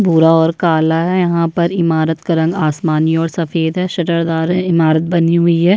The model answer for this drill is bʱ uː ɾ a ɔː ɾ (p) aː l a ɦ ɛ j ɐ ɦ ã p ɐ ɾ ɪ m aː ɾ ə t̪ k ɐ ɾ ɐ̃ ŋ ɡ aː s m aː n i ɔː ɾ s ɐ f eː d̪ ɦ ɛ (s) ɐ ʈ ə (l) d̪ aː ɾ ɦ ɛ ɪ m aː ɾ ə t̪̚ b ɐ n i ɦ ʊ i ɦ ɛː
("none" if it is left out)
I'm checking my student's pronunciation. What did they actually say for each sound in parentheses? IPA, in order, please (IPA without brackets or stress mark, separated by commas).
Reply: k, ʃ, ɾ